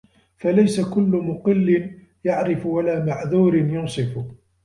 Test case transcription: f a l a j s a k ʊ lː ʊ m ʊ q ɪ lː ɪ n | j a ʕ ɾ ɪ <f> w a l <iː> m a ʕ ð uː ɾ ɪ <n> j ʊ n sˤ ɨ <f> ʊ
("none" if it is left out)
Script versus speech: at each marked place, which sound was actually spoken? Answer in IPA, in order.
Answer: f, aː, n, f

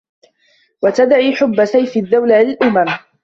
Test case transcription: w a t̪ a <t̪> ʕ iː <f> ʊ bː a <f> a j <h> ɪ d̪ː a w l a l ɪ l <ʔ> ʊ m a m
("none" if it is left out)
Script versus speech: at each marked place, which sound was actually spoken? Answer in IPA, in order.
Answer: d̪, ħ, s, f, ʔ

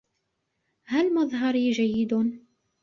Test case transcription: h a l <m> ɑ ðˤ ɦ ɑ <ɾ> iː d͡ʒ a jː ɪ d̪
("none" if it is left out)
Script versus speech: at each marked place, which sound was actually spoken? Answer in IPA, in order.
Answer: m, ɾ

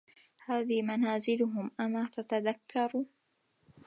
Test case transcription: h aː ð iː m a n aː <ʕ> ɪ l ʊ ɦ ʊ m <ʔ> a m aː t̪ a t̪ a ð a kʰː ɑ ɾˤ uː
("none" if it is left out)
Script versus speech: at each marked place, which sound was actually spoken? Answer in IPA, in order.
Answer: z, ʔ

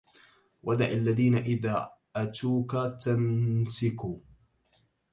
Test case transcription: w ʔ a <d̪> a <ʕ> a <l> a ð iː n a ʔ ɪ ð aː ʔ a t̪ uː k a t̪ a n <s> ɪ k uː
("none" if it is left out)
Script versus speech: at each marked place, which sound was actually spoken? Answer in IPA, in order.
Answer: d̪, ʕ, lː, s

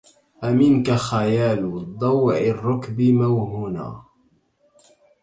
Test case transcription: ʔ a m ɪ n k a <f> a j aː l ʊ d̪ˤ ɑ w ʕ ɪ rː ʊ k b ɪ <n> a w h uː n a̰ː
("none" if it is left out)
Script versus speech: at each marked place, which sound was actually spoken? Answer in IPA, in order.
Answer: x, m

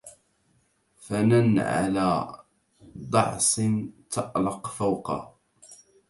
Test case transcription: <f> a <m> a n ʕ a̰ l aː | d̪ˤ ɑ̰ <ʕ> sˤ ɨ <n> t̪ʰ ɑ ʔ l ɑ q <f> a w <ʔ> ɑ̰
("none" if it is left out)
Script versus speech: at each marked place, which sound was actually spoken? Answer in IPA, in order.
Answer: f, n, ʕ, n, f, q

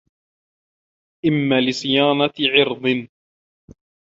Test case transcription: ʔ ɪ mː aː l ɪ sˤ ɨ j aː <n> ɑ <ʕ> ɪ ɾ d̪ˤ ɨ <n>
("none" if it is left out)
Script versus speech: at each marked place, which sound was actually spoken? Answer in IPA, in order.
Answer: n, ʕ, n

